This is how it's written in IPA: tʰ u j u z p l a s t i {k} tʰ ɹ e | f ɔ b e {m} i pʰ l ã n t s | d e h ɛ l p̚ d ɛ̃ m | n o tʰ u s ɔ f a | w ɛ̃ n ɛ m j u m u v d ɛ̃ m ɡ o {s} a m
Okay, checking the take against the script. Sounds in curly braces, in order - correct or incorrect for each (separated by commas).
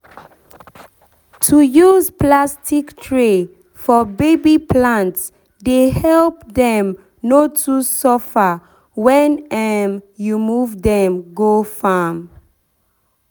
correct, incorrect, incorrect